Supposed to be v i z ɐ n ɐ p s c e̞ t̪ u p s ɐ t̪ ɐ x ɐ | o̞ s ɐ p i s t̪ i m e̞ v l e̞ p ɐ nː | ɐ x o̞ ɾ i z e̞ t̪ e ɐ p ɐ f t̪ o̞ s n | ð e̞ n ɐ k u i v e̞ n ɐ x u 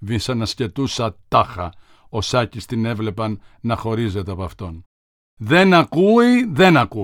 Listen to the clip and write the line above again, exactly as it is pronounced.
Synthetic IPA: v i s ɐ n ɐ s c e̞ t̪ u s ɐ t̪ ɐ x ɐ | o̞ s ɐ c i s t̪ i n e̞ v l e̞ p ɐ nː | ɐ x o̞ ɾ i z e̞ t̪ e ɐ p ɐ f t̪ o̞ n | ð e̞ n ɐ k u i ð e̞ n ɐ k u